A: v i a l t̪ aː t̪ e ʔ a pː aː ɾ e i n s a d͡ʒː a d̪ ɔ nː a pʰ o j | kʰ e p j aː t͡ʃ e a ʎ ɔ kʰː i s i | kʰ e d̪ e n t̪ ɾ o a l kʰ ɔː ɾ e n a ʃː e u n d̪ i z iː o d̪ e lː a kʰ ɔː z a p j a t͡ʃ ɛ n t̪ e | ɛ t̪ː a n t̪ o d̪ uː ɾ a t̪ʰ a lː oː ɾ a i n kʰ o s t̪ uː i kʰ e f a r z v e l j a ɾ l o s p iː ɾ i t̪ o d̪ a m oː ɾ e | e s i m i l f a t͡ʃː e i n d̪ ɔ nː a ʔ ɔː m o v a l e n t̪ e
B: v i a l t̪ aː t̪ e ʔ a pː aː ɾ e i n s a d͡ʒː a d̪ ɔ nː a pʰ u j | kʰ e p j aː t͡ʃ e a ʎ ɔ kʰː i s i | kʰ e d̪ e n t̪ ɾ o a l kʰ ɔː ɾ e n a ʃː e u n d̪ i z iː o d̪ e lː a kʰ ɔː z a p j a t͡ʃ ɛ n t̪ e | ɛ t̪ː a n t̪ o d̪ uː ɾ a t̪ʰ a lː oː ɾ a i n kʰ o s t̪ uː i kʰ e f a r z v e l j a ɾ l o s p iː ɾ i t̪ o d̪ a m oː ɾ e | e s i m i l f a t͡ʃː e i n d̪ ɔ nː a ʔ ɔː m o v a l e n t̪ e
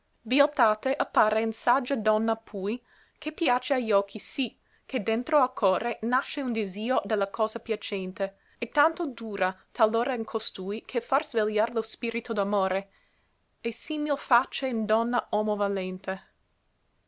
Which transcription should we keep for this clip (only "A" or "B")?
B